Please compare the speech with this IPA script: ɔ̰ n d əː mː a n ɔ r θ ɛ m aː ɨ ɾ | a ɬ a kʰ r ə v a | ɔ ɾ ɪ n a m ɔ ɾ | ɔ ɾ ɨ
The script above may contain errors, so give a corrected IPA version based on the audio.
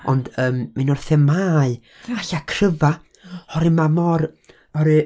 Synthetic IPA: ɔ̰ n d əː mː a n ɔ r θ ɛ m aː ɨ | a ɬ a kʰ r ə v a | ɔ ɾ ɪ m a m ɔ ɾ | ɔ ɾ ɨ